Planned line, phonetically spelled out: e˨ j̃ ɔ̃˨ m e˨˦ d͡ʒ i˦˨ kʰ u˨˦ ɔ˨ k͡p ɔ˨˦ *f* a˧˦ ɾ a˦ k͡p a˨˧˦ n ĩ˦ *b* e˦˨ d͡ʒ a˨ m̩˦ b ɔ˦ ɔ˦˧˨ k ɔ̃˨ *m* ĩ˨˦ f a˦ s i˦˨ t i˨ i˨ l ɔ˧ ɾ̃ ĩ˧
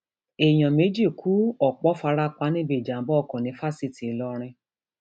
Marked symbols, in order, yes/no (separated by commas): yes, yes, no